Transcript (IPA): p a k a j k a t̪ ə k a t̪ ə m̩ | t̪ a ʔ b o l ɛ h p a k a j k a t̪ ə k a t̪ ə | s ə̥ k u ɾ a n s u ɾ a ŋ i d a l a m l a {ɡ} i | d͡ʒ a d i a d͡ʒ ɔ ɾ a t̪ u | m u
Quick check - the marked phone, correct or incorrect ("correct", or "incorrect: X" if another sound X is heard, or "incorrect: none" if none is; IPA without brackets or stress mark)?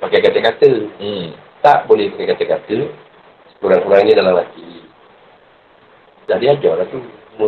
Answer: incorrect: k